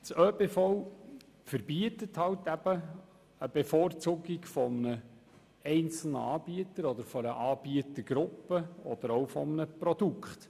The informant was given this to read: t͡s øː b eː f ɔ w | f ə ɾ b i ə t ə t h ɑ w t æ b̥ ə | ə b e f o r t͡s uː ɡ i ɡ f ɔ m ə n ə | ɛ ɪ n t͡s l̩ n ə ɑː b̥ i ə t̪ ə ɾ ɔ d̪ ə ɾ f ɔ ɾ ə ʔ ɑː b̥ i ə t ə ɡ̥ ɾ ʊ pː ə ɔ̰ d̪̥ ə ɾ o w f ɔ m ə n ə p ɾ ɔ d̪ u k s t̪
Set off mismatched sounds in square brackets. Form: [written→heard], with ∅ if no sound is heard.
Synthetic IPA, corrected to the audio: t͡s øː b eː f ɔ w | f ə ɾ b i ə t ə t h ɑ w t æ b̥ ə | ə b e f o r t͡s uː ɡ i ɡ f ɔ m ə n ə | ɛ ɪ n t͡s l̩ n ə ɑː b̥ i ə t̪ ə ɾ ɔ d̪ ə ɾ f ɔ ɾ ə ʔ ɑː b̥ i ə t ə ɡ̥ ɾ ʊ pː ə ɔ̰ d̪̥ ə ɾ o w f ɔ m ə n ə p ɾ ɔ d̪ u k [s→χ] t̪